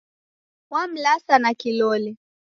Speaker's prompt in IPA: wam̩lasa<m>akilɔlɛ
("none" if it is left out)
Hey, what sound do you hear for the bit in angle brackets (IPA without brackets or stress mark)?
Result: n